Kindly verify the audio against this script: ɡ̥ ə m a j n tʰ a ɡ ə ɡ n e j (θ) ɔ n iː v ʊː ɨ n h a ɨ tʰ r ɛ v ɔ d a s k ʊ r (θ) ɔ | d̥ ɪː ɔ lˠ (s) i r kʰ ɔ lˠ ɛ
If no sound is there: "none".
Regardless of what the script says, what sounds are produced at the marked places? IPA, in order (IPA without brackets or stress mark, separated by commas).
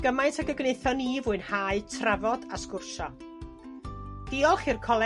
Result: θ, ʃ, χ